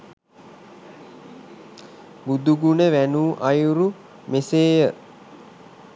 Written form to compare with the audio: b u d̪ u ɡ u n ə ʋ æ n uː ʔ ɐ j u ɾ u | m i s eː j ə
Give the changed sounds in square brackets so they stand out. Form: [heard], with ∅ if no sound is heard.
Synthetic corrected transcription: b u d̪ u ɡ u n ə ʋ æ n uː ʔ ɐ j u ɾ u | m [e] s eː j ə